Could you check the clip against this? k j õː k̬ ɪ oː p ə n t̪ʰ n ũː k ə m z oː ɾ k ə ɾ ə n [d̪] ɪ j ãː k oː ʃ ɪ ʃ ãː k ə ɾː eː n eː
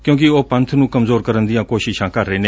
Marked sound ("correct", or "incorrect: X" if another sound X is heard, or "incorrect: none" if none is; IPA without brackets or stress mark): correct